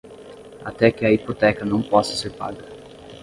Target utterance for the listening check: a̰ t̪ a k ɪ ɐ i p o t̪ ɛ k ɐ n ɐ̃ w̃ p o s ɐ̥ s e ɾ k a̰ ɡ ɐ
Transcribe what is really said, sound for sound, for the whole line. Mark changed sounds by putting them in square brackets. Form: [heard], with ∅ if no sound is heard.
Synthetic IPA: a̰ t̪ [ɛ] k ɪ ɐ i p o t̪ ɛ k ɐ n ɐ̃ w̃ p [ɔ] s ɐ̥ s e ɾ [p] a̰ ɡ ɐ

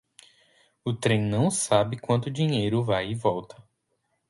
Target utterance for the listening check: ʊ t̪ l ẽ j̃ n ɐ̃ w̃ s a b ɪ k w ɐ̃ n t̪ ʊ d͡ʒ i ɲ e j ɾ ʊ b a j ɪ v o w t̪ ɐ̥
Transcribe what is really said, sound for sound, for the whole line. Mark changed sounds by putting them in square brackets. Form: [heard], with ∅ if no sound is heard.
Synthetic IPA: ʊ t̪ [ɾ] ẽ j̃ n ɐ̃ w̃ s a b ɪ k w ɐ̃ n t̪ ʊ d͡ʒ i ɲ e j ɾ ʊ [v] a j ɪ v [ɔ] w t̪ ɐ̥

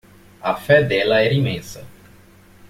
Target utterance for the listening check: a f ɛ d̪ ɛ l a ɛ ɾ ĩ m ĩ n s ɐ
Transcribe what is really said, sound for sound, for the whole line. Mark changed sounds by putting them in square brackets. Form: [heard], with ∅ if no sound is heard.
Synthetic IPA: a f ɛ d̪ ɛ l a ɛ ɾ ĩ m [ẽ] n s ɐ

